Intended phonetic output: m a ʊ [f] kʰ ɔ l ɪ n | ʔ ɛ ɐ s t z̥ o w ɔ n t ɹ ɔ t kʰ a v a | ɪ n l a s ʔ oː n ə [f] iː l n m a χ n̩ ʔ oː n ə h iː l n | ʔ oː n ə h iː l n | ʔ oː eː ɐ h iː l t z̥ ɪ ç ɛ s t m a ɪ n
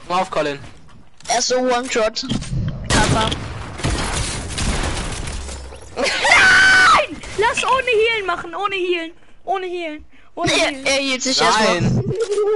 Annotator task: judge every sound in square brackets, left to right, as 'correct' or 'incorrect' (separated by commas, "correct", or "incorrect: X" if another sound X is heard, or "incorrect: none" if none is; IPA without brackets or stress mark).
correct, incorrect: h